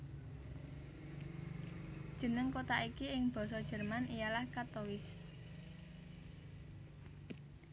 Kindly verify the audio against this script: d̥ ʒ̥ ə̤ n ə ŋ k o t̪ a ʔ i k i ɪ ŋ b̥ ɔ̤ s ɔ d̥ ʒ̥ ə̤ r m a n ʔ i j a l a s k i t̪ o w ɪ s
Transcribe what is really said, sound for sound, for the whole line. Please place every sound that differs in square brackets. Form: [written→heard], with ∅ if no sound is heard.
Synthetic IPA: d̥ ʒ̥ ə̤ n ə ŋ k o t̪ a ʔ i k i ɪ ŋ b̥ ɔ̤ s ɔ d̥ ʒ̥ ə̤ r m a n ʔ i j a l a [s→h] k [i→a] t̪ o w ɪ s